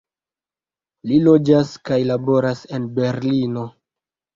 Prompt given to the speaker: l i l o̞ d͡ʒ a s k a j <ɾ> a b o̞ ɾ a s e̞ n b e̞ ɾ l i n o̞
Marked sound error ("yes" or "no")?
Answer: yes